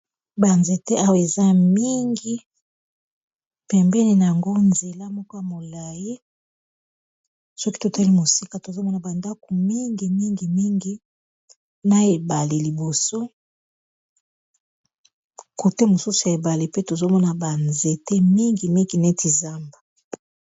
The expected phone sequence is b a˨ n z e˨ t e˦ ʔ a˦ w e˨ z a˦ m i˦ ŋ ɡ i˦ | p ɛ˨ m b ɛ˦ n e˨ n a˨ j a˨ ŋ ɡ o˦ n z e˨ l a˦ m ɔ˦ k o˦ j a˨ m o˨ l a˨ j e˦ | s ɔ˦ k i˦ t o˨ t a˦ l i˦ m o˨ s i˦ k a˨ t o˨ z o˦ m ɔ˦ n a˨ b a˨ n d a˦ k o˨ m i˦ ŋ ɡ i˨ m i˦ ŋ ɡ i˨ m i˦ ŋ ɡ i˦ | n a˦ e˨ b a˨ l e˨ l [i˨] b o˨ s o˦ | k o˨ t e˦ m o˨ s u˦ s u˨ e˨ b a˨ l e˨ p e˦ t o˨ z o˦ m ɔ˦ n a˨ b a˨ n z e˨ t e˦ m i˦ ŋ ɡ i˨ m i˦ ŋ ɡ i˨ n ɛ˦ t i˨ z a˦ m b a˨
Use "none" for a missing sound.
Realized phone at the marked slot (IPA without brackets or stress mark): i˨